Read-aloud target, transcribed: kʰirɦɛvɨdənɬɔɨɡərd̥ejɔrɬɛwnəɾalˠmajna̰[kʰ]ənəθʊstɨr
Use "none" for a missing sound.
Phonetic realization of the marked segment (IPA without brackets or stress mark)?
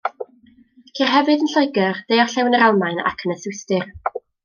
kʰ